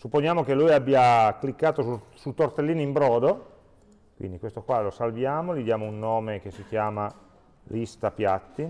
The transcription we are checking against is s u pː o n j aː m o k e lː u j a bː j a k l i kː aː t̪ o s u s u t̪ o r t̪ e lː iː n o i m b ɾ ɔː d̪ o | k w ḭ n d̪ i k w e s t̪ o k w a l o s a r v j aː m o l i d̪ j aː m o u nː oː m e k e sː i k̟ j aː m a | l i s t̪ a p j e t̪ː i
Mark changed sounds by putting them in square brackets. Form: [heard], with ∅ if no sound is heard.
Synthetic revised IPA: s u pː o n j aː m o k e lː u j a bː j a k l i kː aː t̪ o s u s u t̪ o r t̪ e lː iː n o i m b ɾ ɔː d̪ o | k w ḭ n d̪ i k w e s t̪ o k w a l o s a [l] v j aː m o l i d̪ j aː m o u nː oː m e k e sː i k̟ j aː m a | l i s t̪ a p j [a] t̪ː i